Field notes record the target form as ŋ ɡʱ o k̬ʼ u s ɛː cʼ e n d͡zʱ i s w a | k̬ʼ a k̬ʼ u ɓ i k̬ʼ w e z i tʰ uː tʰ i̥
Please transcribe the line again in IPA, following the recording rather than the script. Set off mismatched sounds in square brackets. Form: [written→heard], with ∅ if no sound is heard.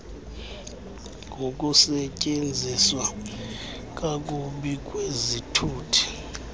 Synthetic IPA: ŋ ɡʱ o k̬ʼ u s [ɛː→ɛ] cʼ e n d͡zʱ i s w a | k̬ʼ a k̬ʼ u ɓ i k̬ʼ w e z i tʰ uː tʰ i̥